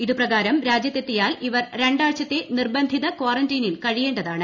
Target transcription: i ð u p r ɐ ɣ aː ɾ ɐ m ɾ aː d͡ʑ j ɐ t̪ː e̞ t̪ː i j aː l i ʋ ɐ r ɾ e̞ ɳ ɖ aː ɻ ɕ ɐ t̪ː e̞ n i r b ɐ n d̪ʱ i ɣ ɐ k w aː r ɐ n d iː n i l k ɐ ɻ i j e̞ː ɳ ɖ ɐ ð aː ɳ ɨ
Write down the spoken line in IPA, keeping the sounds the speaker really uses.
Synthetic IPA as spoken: i ð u p r ɐ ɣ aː ɾ ɐ m ɾ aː d͡ʑ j ɐ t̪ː e̞ t̪ː i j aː l i ʋ ɐ r ɾ e̞ ɳ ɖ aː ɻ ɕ ɐ t̪ː e̞ n i r b ɐ n d̪ʱ i ð ɐ k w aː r ɐ n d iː n i l k ɐ ɻ i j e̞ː ɳ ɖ ɐ ð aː ɳ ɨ